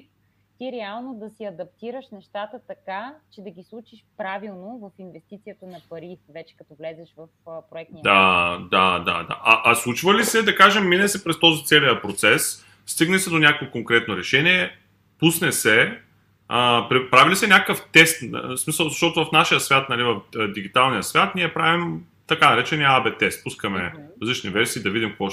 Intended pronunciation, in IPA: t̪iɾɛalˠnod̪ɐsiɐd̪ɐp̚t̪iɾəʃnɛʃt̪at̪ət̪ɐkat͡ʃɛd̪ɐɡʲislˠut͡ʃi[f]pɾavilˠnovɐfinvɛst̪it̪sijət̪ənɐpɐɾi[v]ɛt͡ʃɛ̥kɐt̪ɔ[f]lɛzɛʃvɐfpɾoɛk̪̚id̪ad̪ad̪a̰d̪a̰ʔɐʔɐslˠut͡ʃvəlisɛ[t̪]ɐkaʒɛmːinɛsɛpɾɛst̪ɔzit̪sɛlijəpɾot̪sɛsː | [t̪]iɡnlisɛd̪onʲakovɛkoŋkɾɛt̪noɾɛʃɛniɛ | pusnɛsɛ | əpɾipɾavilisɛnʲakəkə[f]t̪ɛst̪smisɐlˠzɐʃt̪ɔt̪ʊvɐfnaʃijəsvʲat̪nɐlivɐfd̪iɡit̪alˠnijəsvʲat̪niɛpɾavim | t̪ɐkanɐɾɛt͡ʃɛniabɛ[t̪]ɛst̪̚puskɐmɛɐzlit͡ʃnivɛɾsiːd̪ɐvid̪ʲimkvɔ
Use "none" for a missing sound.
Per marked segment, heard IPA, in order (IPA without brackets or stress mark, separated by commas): ʃ, v, v, d̪, t̪, f, t̪